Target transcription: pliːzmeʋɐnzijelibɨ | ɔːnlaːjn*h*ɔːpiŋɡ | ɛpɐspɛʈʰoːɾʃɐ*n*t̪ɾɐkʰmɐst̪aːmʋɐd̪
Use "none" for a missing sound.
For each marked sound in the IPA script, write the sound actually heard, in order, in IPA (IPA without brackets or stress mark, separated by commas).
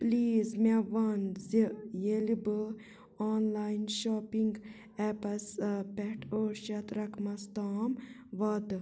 ʃ, none